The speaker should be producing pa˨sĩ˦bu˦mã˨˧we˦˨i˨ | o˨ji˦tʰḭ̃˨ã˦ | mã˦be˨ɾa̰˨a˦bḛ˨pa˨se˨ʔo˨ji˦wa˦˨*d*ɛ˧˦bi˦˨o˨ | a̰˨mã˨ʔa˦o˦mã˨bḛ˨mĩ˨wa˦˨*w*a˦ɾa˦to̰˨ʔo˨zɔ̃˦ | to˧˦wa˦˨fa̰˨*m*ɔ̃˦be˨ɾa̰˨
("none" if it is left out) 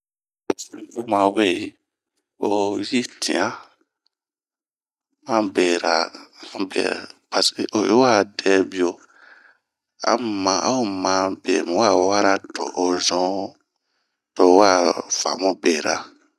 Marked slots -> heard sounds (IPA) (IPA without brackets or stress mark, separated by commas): d, w, m